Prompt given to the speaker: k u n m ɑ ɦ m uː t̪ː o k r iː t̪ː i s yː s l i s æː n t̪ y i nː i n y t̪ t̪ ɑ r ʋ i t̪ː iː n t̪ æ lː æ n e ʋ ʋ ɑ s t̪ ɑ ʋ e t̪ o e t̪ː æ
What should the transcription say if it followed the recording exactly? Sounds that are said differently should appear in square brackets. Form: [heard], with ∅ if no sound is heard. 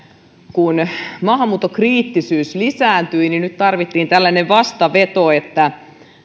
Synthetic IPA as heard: k u n m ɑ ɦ m uː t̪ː o k r iː t̪ː i s yː s l i s æː n t̪ y i [n] i n y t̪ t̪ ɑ r ʋ i t̪ː iː n t̪ æ lː æ n e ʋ ʋ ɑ s t̪ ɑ ʋ e t̪ o e t̪ː æ